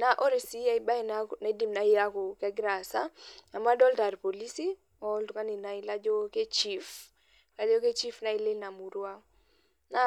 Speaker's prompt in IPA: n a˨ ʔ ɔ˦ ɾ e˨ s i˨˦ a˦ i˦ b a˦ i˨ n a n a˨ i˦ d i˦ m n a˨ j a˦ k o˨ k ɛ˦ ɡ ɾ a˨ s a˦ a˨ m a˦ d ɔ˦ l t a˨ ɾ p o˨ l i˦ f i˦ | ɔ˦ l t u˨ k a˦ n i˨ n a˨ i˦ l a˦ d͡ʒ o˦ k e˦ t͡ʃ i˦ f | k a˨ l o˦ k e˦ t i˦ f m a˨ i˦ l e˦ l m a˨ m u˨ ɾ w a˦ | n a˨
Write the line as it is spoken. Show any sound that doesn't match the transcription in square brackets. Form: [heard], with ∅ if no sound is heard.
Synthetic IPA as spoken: n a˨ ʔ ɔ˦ ɾ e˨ s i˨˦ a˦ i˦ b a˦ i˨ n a n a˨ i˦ d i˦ m n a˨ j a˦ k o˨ k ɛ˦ ɡ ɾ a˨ s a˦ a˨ m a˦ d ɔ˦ l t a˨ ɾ p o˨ l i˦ [s] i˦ | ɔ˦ l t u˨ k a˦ n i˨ n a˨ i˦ l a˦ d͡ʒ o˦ k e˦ t͡ʃ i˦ f | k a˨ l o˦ k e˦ [t͡ʃ] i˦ f [n] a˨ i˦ l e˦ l [n] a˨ m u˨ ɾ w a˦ | n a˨